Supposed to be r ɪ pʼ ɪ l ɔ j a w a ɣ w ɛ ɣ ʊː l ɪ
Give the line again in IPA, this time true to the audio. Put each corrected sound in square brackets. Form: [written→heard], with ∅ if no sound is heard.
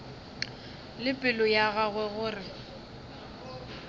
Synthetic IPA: [r→l] ɪ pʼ ɪ l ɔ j a [w→ɣ] a ɣ w ɛ ɣ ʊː [l→r] ɪ